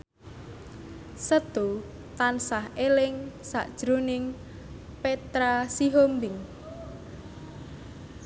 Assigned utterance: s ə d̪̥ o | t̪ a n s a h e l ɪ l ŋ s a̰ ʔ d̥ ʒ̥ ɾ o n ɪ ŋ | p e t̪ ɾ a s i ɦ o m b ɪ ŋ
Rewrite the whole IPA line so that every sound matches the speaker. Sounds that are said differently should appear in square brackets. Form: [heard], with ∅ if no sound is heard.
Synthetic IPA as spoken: s ə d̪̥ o | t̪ a n s a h e l ɪ [∅] ŋ s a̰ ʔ d̥ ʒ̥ ɾ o n ɪ ŋ | p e t̪ ɾ a s i ɦ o m b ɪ ŋ

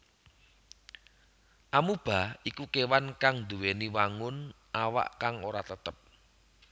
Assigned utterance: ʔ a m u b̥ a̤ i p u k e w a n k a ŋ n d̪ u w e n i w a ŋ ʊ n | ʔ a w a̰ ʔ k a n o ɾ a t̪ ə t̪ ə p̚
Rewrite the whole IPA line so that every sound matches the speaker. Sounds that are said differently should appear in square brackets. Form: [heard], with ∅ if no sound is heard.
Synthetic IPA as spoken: ʔ a m u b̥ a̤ i [k] u k e w a n k a ŋ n d̪ u w e n i w a ŋ ʊ n | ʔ a w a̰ ʔ k a [ŋ] o ɾ a t̪ ə t̪ ə p̚

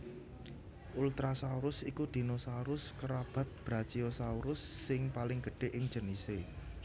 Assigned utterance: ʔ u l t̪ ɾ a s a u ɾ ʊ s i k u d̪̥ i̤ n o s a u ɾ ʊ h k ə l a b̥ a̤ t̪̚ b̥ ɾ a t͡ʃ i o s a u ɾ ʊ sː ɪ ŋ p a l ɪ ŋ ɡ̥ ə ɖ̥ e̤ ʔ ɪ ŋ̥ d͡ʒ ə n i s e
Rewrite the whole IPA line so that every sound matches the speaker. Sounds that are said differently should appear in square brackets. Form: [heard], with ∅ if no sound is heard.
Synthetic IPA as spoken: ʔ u l t̪ ɾ a s a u ɾ ʊ s i k u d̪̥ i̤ n o s a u ɾ ʊ [s] k ə [ɾ] a b̥ a̤ t̪̚ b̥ ɾ a t͡ʃ i o s a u ɾ ʊ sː ɪ ŋ p a l ɪ ŋ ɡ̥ ə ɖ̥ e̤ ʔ ɪ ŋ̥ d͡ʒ ə n i s e

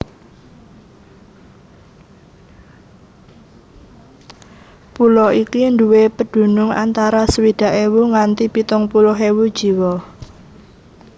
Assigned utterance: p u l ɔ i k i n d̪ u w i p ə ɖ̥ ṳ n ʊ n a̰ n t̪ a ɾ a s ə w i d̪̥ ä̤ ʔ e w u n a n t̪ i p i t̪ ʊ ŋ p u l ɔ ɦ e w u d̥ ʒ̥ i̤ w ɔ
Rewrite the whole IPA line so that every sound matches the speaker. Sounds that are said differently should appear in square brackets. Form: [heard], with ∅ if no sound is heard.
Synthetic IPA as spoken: p u l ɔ i k i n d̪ u w [e] p ə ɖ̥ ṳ n ʊ [ŋ] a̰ n t̪ a ɾ a s ə w i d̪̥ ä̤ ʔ e w u [ŋ] a n t̪ i p i t̪ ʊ ŋ p u l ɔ ɦ e w u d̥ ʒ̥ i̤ w ɔ

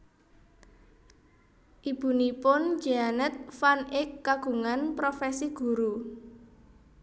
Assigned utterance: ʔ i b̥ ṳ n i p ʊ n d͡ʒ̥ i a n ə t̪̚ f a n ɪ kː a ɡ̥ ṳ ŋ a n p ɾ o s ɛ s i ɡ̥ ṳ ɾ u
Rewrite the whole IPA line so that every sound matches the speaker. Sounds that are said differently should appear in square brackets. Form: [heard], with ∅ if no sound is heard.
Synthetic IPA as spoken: ʔ i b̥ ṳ n i p ʊ n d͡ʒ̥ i a n ə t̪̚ f a n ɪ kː a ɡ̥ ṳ ŋ a n p ɾ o [f] ɛ s i ɡ̥ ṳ ɾ u

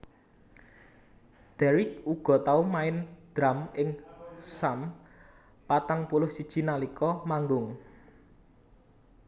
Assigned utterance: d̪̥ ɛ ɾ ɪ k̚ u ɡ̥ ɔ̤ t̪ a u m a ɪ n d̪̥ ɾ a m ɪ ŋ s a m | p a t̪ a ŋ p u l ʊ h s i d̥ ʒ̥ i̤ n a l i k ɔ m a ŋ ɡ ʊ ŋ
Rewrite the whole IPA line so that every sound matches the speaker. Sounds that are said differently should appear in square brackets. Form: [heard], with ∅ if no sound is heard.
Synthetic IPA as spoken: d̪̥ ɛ ɾ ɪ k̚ u ɡ̥ ɔ̤ t̪ a u m a ɪ n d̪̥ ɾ a m ɪ ŋ s a m | p a t̪ a ŋ p u l ʊ h s i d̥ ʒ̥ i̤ n a l i k ɔ m a ŋ ɡ ʊ ŋ

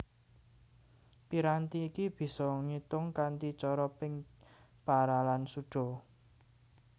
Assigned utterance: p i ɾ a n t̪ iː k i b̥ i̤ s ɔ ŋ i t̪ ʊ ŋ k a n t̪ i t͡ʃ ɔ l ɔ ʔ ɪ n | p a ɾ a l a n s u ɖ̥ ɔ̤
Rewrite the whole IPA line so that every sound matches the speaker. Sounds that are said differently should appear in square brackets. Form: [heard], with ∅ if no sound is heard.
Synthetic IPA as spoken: p i ɾ a n t̪ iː k i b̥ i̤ s ɔ ŋ i t̪ ʊ ŋ k a n t̪ i t͡ʃ ɔ [ɾ] ɔ [p] ɪ [ŋ] | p a ɾ a l a n s u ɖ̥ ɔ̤

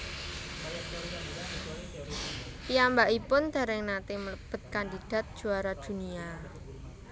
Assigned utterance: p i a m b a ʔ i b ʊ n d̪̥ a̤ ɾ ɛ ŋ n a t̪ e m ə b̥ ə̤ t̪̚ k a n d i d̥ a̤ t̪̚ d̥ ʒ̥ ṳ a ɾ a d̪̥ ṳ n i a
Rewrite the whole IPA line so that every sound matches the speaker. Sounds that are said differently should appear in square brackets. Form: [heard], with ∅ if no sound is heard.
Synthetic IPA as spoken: p i a m b a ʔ i [p] ʊ n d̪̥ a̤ ɾ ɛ ŋ n a t̪ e m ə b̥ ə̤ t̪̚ k a n d i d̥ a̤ t̪̚ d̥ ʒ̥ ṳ a ɾ a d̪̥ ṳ n i a

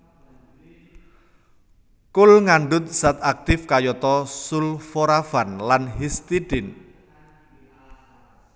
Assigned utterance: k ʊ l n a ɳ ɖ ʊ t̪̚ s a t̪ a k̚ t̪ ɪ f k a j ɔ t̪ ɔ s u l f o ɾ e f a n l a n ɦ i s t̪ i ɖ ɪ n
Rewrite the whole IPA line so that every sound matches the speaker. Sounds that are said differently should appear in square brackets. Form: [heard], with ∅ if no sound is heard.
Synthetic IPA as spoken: k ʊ l [ŋ] a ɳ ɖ ʊ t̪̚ s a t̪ a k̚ t̪ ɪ f k a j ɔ t̪ ɔ s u l f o ɾ [a] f a n l a n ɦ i s t̪ i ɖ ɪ n

